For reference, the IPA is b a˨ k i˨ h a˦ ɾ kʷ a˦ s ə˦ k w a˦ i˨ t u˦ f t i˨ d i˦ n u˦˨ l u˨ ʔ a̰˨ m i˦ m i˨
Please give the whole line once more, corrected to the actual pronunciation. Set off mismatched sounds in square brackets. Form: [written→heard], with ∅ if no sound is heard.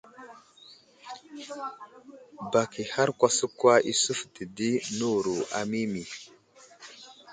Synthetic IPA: b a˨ k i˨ h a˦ ɾ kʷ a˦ s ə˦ k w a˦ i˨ [t→s] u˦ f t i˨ d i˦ n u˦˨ [l→ɾ] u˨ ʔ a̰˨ m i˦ m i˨

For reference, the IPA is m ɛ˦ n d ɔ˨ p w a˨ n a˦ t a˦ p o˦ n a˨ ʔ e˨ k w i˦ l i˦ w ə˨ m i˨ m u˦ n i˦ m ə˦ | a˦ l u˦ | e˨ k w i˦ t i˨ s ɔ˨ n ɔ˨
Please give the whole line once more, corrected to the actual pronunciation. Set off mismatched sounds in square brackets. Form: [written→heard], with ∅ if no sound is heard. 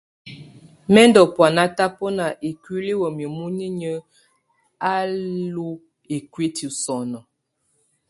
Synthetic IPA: m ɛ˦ n d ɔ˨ p w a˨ n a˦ t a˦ p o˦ n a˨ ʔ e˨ k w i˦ l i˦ w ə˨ m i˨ m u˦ n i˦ [m→ɲ] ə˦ | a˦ l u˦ | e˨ k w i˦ t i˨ s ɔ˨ n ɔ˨

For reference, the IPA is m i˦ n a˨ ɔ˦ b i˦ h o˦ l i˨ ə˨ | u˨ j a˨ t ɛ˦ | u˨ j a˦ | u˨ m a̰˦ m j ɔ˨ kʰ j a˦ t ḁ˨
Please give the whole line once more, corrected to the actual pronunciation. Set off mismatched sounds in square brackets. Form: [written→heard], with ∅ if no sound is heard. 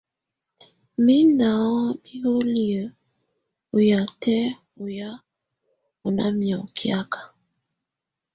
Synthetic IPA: m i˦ n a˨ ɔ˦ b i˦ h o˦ l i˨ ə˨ | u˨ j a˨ t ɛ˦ | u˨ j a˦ | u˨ [m→n] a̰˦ m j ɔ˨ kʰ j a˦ [t→k] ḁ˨

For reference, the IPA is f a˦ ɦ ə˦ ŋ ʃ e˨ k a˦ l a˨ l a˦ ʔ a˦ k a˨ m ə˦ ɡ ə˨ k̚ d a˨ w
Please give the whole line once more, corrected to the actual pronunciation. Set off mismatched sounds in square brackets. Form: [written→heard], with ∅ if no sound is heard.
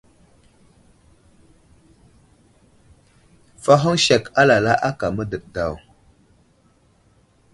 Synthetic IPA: f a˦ ɦ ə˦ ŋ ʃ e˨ k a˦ l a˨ l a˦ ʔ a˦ k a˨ m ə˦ [ɡ→d] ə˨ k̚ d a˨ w

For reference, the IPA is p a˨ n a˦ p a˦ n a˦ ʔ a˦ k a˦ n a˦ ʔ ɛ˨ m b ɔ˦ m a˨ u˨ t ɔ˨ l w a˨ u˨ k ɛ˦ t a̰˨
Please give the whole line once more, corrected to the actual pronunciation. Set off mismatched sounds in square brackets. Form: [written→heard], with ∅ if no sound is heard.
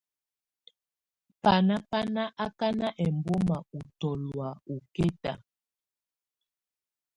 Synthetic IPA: p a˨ n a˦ p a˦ n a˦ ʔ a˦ k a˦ n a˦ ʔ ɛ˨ m b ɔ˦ m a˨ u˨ t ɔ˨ l w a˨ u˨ k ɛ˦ t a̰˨

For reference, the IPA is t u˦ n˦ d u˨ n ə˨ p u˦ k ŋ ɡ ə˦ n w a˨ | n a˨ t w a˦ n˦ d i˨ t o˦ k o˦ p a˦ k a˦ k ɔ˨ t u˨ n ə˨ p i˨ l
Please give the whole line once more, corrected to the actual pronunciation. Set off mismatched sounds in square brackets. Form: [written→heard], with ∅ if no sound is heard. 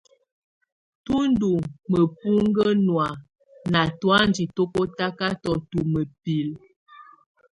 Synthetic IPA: t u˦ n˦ d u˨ [n→m] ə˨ p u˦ [k→∅] ŋ ɡ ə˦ n w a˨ | n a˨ t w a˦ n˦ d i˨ t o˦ k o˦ [p→t] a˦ k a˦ [k→t] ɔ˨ t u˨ [n→m] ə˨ p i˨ l

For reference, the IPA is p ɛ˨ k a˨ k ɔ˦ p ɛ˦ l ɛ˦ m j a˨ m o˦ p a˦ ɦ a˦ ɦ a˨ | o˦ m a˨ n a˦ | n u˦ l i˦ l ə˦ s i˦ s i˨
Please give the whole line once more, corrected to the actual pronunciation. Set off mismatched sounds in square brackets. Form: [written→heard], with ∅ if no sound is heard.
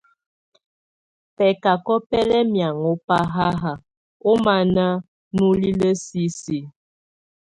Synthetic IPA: p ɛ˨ k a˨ k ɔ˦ p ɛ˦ l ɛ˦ m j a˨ [m→ŋ] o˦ p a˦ ɦ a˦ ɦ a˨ | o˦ m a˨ n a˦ | n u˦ l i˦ l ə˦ s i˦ s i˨

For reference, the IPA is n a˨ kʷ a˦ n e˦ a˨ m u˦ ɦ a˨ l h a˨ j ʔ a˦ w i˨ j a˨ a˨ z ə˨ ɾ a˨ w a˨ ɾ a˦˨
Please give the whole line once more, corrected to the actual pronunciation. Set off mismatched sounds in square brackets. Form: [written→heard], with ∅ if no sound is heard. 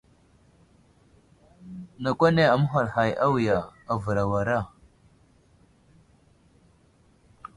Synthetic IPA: n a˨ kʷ a˦ n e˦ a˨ m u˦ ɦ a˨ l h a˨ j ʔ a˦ w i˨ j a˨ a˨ [z→v] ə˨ ɾ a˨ w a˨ ɾ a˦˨

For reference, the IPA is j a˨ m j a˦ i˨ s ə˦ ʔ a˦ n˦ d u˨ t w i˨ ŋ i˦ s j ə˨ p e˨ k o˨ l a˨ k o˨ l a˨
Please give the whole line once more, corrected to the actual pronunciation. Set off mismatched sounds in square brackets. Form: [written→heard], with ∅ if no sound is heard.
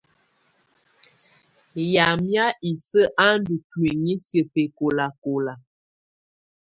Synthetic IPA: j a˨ m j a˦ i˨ s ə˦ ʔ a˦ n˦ d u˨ t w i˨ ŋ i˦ s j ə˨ p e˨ k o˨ l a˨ k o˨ l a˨

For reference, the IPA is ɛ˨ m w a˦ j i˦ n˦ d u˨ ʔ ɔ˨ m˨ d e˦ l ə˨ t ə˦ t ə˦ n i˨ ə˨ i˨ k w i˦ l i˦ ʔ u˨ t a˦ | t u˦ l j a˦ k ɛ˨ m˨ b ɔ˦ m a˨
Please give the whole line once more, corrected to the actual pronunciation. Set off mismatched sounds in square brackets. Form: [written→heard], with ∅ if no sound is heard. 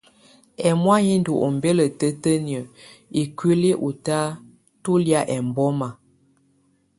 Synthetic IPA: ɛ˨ m w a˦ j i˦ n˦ d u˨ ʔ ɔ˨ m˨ [d→b] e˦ l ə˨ t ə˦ t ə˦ n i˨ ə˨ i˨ k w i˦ l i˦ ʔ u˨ t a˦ | t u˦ l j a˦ [k→ʔ] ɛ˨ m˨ b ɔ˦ m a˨

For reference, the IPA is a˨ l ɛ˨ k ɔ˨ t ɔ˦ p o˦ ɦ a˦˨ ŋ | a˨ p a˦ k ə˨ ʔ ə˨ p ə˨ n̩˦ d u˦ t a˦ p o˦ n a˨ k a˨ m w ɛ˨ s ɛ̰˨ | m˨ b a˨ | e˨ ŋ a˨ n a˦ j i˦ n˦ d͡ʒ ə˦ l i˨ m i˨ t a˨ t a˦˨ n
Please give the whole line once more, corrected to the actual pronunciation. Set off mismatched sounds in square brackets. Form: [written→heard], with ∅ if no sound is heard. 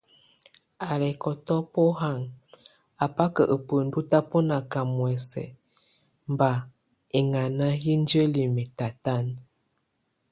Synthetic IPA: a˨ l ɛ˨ k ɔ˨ t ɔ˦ p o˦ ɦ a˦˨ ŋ | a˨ p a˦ k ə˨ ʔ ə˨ p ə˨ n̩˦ d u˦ t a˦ p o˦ n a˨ k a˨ m w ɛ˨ s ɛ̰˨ | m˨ b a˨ | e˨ ŋ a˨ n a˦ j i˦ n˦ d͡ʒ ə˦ l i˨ m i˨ t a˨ t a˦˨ n

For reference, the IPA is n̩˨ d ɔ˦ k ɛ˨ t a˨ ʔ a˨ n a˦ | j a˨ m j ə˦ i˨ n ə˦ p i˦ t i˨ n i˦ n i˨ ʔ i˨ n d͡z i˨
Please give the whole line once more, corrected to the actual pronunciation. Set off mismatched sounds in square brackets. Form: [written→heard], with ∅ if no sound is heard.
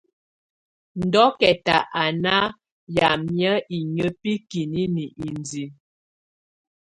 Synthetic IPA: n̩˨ d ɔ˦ k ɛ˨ t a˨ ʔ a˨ n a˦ | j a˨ m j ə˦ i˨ [n→ɲ] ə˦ p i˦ [t→k] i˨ n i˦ n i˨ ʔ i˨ n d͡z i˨

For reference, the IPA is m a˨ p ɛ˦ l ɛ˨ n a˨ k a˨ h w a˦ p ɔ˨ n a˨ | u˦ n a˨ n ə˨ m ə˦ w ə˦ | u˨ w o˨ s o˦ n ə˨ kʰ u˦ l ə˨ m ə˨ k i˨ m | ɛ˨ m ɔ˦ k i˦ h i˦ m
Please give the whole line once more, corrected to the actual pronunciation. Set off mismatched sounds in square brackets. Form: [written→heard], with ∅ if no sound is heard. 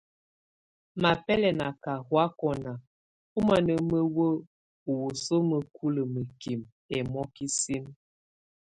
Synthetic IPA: m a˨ p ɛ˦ l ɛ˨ n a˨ k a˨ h w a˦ [p→k] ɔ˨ n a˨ | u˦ [n→m] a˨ n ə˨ m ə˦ w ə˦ | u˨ w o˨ s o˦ [n→m] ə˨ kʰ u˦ l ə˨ m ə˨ k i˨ m | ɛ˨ m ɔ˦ k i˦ [h→s] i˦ m

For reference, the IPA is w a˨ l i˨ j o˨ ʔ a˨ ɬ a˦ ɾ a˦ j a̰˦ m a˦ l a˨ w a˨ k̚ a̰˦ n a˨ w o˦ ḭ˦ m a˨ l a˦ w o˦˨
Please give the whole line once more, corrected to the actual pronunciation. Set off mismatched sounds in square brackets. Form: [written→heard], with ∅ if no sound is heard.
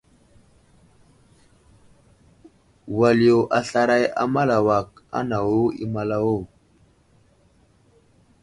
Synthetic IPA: w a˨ l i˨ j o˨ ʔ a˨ ɬ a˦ ɾ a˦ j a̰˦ m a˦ l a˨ w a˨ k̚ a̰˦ n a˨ w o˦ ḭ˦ m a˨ l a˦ w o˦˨

